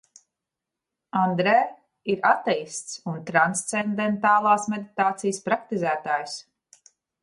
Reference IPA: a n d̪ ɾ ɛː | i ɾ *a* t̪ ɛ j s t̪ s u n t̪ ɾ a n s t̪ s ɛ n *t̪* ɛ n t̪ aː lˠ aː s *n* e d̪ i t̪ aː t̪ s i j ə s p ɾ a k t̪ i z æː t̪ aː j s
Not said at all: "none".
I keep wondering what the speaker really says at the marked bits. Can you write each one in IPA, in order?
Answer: a, d̪, m

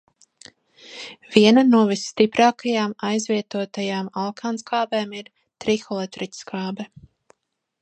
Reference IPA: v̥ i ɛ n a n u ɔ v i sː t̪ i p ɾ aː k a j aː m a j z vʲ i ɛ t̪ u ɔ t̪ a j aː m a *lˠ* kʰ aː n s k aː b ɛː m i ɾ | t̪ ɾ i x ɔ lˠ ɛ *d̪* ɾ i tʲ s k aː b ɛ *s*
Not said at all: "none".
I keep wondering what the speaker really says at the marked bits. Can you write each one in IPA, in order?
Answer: lˠ, t̪, none

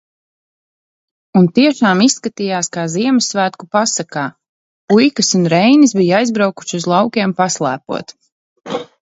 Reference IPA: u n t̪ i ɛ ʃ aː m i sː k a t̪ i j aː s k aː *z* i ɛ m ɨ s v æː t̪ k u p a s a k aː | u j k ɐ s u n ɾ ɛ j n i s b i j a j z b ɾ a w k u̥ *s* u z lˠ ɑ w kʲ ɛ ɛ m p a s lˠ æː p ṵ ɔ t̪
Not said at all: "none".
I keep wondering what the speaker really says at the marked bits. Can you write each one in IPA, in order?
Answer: z, ʃ

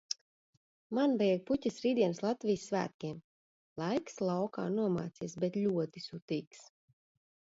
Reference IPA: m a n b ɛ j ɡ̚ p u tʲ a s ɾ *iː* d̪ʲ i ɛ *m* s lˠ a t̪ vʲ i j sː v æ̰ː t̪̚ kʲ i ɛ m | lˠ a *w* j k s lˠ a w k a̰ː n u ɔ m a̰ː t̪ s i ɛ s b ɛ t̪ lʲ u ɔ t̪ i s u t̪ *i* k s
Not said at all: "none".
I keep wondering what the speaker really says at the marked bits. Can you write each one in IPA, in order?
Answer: iː, n, none, iː

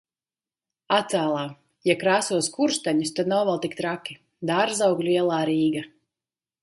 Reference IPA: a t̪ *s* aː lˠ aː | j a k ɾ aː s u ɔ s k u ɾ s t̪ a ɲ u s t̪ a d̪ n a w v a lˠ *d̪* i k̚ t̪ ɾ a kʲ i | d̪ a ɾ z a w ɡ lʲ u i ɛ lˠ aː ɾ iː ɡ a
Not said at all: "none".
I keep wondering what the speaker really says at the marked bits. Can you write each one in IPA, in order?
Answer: s, t̪

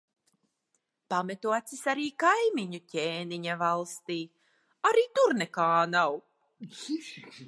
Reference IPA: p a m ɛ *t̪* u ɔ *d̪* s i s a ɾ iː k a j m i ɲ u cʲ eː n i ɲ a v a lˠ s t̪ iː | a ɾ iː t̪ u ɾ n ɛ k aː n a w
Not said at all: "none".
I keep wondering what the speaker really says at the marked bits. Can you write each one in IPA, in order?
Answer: t̪, t̪

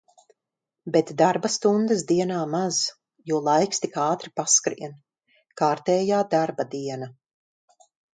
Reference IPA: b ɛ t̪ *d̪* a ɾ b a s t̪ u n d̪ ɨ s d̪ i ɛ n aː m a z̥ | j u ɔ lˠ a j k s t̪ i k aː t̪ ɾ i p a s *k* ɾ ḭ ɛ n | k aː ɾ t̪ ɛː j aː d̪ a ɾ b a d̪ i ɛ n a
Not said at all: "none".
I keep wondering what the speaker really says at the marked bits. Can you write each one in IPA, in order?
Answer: d̪, k

